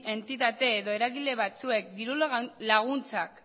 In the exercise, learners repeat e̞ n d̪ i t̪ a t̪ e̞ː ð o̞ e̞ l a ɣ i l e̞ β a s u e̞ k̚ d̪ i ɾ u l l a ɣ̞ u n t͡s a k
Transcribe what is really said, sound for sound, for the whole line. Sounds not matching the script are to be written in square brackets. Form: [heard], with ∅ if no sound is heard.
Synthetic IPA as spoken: e̞ n [t̪] i t̪ a t̪ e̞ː ð o̞ e̞ [ɾ] a ɣ i l e̞ β a [t͡s] u e̞ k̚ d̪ i ɾ u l l a ɣ̞ u n t͡s a k